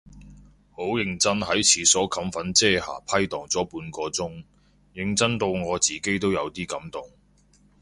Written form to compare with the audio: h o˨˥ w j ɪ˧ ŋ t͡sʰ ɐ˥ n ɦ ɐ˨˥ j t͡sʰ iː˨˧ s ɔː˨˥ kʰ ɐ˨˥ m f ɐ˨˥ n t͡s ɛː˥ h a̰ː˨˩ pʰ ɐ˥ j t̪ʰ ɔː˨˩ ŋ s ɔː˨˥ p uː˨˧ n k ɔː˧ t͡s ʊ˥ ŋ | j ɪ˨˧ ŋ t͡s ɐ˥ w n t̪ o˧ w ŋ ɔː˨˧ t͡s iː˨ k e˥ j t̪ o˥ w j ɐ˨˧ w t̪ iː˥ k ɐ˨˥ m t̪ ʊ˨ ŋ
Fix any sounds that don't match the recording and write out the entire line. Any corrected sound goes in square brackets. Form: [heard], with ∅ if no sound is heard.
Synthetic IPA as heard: h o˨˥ w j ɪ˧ ŋ [t͡s] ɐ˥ n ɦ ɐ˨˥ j t͡sʰ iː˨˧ s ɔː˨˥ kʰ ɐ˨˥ m f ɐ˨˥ n t͡s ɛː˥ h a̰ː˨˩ pʰ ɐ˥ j [t̪] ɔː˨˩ ŋ [t͡s] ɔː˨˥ p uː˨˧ n k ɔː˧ t͡s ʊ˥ ŋ | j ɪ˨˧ ŋ t͡s ɐ˥ [∅] n t̪ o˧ w ŋ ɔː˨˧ t͡s iː˨ k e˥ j t̪ o˥ w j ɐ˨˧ w t̪ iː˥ k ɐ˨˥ m t̪ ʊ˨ ŋ